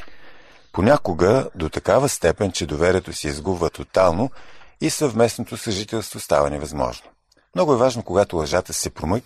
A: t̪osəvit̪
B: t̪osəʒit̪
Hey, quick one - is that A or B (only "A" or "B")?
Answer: B